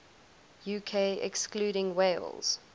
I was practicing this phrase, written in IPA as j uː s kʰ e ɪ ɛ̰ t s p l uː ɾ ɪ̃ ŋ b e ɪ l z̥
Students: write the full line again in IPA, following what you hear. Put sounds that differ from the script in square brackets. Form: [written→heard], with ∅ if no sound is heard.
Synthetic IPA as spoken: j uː [s→∅] kʰ e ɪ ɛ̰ [t→k] s [p→k] l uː ɾ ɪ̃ ŋ [b→w] e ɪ l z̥